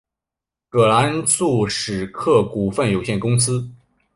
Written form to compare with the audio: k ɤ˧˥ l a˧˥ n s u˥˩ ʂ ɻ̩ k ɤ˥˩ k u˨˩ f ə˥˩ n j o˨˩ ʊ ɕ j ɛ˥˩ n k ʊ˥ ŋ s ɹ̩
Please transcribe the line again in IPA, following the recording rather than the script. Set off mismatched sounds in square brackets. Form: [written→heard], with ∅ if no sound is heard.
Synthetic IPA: k [ɤ˧˥→ɤ˨˩] l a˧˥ n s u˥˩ ʂ ɻ̩ [k→kʰ] ɤ˥˩ k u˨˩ f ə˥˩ n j o˨˩ ʊ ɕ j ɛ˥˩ n k ʊ˥ ŋ s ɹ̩